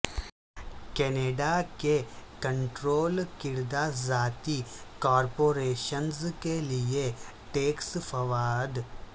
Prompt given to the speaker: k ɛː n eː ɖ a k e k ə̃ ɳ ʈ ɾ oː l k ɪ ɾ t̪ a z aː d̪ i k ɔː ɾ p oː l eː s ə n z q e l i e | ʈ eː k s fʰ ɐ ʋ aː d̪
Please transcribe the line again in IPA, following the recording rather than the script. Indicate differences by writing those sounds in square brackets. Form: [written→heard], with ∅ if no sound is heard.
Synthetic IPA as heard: k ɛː n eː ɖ a k e k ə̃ ɳ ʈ ɾ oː l k ɪ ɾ [t̪→d̪] a z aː [d̪→t̪] i k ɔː ɾ p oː [l→ɾ] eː [s→ʃ] ə n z [q→k] e l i e | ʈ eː k s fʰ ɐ ʋ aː d̪